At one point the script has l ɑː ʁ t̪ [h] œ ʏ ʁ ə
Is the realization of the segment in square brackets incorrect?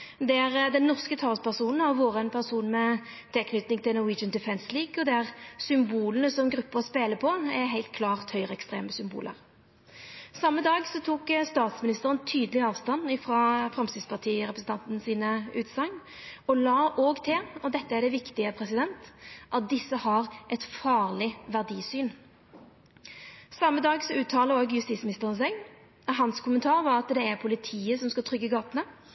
no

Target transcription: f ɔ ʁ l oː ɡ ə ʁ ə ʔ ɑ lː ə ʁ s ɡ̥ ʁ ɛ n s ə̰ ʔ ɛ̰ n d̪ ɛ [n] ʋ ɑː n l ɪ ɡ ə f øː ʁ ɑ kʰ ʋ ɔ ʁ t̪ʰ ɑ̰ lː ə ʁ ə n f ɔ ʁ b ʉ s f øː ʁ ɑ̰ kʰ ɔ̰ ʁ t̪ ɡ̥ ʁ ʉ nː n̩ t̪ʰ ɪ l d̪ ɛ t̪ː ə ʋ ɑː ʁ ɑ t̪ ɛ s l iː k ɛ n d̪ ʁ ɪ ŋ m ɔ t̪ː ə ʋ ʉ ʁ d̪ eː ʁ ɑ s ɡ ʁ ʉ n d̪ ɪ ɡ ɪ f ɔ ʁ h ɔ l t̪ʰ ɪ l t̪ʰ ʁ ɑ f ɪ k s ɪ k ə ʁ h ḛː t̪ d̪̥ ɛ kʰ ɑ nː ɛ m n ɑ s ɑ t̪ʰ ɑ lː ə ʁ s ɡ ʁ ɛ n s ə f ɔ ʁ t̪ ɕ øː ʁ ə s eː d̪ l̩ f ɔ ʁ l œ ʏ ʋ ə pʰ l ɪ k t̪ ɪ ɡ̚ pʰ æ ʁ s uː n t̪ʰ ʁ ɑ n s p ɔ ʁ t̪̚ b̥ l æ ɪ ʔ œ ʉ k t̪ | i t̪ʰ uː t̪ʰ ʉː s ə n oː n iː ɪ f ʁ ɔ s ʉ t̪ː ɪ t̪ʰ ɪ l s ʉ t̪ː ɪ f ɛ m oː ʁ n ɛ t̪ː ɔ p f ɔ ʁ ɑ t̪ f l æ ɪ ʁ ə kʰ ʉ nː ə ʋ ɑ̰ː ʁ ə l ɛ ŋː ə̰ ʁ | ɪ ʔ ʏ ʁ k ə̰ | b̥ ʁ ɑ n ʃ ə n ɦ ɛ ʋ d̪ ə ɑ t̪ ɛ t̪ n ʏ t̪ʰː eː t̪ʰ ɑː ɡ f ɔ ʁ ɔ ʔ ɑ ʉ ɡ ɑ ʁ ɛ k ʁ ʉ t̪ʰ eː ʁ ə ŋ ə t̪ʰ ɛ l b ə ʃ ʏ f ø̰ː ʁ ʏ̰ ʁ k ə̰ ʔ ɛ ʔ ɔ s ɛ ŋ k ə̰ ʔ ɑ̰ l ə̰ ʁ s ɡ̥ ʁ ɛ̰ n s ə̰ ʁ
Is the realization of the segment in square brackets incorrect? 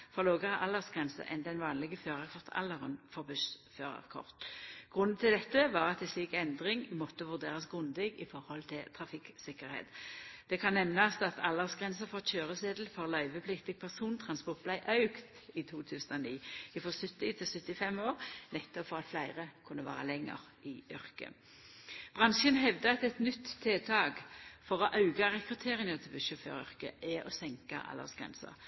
no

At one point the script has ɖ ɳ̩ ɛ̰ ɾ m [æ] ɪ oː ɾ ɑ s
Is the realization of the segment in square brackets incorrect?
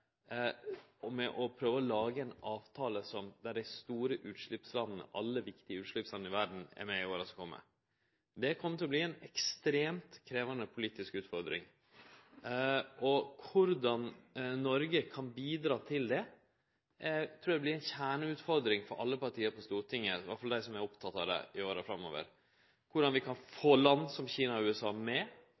yes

